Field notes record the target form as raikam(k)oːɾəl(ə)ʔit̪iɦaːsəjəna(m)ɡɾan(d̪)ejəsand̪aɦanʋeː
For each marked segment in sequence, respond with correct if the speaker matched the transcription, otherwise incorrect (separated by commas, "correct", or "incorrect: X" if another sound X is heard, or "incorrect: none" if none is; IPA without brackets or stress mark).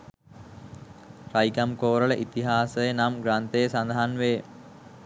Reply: correct, correct, correct, incorrect: t̪